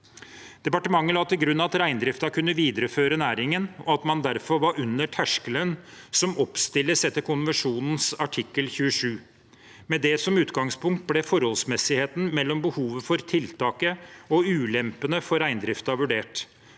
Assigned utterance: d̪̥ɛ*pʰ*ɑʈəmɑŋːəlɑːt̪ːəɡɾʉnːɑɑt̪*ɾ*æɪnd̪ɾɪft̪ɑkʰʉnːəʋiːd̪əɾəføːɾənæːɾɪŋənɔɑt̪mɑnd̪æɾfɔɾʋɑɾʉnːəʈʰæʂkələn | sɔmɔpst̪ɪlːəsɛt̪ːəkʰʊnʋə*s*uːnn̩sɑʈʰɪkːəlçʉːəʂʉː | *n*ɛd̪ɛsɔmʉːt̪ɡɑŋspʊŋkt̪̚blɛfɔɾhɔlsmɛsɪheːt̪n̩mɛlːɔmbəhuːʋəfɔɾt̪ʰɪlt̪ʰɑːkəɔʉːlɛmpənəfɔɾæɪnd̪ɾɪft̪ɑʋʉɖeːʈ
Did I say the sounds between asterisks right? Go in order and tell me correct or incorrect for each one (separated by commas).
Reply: incorrect, correct, incorrect, incorrect